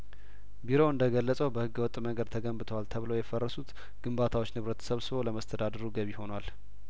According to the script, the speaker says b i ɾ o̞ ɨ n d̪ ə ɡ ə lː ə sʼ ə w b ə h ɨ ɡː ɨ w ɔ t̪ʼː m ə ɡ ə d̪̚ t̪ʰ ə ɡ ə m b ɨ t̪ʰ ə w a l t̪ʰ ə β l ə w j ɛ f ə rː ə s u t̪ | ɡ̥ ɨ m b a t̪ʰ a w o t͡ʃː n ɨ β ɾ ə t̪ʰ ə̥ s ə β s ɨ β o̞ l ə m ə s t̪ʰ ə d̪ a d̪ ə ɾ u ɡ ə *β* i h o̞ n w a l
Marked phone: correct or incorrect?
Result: correct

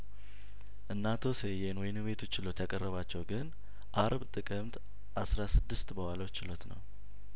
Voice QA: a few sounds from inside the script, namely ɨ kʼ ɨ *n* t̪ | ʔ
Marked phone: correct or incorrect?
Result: incorrect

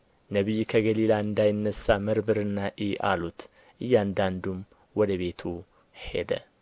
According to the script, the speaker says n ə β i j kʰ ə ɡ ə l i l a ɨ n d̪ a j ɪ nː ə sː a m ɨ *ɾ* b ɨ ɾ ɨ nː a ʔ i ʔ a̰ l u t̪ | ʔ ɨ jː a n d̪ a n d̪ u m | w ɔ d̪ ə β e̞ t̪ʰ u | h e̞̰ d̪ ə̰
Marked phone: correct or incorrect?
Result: correct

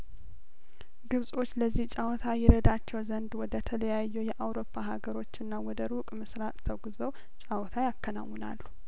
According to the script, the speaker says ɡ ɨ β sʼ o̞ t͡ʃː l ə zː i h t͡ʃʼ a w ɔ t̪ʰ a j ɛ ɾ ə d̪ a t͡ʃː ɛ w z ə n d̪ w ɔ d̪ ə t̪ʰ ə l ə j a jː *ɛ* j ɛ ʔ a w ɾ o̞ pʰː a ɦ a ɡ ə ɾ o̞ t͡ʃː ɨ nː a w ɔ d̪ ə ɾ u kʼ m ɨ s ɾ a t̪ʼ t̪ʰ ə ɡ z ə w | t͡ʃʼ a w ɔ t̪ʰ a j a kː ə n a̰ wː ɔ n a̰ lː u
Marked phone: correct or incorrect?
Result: correct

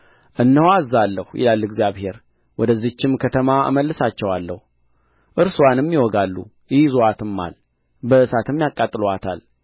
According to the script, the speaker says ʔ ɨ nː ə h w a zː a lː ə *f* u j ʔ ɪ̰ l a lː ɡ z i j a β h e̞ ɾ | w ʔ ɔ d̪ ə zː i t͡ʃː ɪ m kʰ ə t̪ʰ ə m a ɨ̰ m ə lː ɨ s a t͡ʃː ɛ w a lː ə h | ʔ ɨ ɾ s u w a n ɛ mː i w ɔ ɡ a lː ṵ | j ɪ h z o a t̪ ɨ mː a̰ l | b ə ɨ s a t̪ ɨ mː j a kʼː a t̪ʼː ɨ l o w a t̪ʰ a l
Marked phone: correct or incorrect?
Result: incorrect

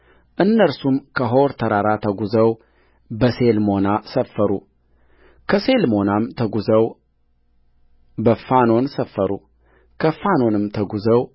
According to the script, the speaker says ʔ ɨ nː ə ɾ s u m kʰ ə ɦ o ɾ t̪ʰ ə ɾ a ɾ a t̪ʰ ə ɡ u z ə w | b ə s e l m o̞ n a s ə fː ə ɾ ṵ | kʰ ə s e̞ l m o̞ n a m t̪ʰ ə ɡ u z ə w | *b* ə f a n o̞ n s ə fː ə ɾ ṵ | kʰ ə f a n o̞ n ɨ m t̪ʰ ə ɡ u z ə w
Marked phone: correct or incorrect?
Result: correct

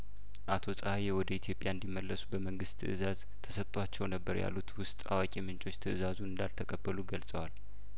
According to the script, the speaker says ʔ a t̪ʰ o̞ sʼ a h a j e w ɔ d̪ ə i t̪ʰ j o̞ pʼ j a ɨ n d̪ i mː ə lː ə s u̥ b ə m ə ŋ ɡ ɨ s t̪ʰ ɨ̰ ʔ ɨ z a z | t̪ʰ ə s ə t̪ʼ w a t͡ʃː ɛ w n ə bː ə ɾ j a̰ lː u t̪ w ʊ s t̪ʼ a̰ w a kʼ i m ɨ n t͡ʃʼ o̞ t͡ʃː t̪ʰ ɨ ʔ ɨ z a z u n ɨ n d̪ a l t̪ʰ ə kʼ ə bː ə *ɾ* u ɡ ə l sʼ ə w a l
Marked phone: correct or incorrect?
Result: incorrect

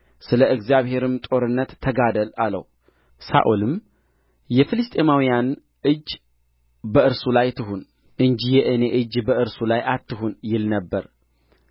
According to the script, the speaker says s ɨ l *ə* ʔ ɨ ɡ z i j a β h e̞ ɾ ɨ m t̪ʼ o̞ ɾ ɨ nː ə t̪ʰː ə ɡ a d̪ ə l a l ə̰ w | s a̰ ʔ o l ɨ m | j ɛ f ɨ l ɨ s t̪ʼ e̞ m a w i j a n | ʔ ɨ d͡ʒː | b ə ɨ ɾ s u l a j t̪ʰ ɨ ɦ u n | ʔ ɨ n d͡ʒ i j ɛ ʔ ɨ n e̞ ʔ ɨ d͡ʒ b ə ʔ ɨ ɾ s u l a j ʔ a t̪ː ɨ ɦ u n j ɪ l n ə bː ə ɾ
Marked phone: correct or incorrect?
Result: correct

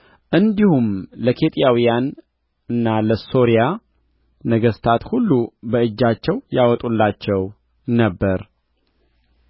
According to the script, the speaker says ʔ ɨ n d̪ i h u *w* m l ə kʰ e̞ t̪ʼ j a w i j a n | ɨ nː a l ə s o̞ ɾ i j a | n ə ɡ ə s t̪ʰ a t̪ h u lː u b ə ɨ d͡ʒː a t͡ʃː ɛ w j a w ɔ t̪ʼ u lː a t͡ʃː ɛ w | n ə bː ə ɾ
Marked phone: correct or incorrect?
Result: incorrect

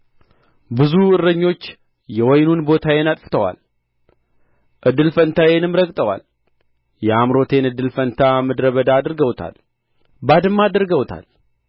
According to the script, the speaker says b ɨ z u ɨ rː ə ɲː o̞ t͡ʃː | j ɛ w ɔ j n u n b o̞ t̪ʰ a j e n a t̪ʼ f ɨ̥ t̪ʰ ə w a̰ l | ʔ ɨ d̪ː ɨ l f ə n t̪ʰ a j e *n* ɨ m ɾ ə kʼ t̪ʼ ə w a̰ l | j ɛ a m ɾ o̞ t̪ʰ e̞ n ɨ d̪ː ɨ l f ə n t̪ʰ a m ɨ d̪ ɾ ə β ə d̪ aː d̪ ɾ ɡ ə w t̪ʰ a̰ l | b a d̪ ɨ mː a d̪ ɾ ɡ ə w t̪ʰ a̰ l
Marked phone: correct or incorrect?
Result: correct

